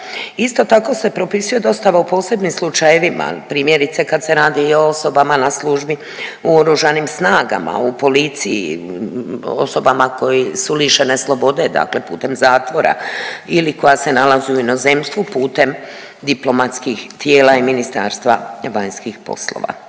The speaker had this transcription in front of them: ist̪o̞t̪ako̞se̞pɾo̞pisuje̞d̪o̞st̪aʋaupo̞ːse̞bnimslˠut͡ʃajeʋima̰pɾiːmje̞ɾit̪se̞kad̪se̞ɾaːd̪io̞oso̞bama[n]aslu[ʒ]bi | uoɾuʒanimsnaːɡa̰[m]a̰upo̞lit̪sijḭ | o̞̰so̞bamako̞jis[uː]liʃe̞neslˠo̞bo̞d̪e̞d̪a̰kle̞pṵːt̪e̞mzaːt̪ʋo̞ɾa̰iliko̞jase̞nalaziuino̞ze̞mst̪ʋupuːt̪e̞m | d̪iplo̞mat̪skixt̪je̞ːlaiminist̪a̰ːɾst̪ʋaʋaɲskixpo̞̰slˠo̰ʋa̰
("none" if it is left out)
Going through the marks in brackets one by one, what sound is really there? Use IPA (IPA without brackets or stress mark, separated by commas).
n, ʒ, m, u